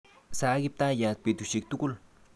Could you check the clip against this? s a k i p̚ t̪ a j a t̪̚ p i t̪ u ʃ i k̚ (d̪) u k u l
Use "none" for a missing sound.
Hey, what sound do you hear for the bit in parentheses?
t̪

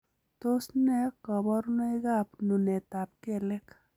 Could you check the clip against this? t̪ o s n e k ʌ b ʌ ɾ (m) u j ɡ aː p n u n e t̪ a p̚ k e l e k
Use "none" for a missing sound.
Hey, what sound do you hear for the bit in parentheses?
n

